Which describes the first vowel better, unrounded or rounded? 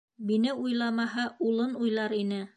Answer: unrounded